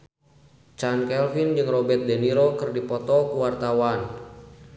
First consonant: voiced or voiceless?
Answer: voiceless